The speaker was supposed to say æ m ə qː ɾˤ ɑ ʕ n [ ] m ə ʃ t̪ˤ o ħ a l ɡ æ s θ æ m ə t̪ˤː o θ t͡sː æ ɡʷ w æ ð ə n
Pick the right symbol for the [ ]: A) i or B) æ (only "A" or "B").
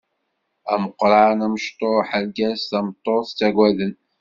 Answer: B